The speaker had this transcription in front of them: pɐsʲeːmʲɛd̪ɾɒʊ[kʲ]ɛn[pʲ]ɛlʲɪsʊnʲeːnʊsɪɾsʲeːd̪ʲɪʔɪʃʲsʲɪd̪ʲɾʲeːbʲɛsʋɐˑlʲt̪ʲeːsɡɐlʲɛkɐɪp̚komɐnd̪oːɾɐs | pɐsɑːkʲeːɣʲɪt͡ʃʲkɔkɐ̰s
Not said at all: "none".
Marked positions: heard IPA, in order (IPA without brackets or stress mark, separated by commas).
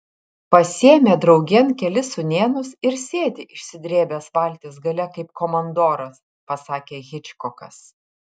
ɡʲ, kʲ